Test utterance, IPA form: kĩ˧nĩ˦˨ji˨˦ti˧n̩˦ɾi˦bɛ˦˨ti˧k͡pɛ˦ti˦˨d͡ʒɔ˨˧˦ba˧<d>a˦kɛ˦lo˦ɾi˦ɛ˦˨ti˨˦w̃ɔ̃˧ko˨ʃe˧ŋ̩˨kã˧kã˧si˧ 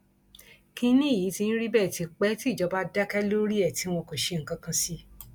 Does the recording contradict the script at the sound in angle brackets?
no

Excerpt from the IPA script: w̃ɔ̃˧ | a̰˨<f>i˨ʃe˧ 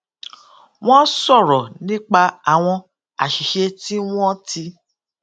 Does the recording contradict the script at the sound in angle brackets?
yes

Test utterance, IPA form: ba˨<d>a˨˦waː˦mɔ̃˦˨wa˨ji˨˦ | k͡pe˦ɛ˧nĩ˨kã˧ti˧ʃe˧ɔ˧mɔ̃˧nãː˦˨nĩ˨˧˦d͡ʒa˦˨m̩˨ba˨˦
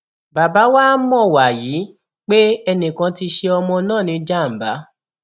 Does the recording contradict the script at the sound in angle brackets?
yes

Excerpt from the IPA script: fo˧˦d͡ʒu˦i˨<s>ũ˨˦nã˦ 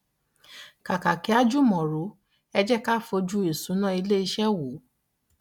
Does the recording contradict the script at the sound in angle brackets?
no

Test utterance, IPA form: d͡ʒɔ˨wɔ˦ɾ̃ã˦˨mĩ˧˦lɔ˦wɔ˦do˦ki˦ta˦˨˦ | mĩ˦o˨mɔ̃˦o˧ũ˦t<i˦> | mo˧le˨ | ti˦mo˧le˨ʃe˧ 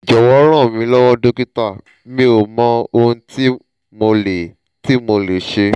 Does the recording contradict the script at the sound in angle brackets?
no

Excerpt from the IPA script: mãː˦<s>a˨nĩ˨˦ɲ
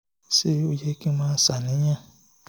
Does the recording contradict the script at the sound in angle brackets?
no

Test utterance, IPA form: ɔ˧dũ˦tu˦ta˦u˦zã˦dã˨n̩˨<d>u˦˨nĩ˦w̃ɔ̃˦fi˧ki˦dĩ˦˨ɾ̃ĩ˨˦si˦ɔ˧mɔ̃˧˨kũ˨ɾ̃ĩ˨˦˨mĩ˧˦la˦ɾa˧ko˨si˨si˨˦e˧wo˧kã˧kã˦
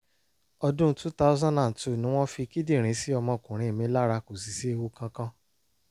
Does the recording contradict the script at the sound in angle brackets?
yes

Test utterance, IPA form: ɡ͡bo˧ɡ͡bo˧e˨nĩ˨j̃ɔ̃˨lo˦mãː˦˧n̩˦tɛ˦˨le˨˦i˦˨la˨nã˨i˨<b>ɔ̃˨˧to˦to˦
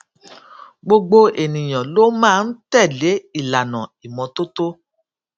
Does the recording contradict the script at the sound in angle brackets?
yes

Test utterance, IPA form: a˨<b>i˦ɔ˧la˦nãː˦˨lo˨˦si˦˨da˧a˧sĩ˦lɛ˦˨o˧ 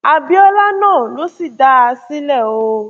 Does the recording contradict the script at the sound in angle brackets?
no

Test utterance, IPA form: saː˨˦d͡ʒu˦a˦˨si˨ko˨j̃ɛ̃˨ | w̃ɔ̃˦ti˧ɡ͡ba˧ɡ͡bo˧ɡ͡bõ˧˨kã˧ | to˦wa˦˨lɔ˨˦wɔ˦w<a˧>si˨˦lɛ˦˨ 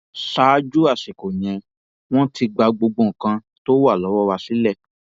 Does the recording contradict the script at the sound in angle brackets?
no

